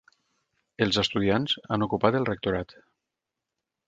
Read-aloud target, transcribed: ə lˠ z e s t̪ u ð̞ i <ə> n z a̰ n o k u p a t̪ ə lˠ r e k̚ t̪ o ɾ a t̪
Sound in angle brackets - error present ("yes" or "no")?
yes